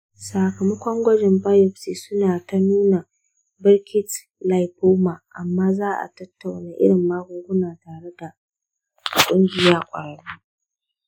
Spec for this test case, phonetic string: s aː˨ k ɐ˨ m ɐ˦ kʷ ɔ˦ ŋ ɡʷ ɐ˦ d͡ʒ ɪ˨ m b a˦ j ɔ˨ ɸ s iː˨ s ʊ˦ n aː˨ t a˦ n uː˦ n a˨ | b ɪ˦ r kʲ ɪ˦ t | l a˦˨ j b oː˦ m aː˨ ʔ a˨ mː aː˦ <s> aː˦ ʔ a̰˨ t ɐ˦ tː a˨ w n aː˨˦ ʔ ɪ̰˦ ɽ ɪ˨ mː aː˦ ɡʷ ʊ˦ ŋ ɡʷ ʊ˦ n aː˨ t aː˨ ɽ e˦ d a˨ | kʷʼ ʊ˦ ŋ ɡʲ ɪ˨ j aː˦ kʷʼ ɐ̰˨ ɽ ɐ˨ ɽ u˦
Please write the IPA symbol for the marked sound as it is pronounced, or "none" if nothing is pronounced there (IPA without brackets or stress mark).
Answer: z